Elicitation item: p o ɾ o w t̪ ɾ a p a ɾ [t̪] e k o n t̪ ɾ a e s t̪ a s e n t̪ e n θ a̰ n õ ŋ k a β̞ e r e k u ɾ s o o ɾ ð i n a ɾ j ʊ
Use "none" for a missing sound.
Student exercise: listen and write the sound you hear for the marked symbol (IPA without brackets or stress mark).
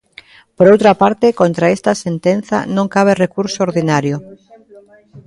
t̪